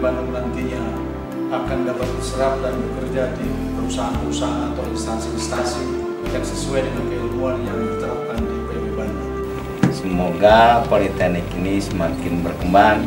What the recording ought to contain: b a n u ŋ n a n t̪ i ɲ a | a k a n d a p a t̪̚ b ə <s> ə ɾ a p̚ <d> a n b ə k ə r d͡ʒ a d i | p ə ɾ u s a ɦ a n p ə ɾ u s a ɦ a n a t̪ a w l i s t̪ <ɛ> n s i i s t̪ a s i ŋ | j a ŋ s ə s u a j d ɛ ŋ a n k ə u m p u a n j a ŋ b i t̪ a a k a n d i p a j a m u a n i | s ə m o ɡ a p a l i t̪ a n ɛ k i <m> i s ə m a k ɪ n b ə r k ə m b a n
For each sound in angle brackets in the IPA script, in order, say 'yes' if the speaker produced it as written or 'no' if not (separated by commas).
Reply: yes, yes, no, no